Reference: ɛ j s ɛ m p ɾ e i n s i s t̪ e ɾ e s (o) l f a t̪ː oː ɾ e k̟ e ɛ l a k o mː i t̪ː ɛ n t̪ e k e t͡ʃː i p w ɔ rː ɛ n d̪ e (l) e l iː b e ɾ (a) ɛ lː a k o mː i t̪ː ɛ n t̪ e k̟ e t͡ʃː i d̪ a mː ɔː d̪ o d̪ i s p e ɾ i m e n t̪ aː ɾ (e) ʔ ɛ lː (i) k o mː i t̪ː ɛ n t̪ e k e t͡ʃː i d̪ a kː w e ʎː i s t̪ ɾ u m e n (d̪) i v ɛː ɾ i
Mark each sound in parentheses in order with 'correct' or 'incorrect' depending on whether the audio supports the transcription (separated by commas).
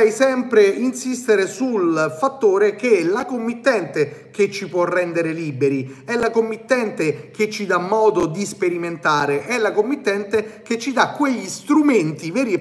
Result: incorrect, incorrect, incorrect, correct, incorrect, incorrect